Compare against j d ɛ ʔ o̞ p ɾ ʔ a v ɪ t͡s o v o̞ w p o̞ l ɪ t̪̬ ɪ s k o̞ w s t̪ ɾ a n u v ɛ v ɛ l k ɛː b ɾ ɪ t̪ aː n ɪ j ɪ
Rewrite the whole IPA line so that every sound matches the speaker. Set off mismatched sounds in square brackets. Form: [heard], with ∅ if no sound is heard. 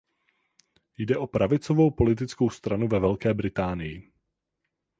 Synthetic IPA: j d ɛ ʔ o̞ p ɾ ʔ a v ɪ t͡s o v o̞ w p o̞ l ɪ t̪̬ ɪ [t͡s] k o̞ w s t̪ ɾ a n u v ɛ v ɛ l k ɛː b ɾ ɪ t̪ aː n ɪ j ɪ